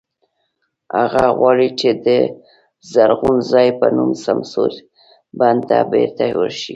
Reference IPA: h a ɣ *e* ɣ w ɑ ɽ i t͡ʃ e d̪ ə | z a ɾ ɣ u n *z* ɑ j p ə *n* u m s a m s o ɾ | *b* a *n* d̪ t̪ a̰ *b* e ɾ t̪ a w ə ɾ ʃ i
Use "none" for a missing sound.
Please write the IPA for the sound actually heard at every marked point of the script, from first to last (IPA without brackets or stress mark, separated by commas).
a, z, n, b, n, b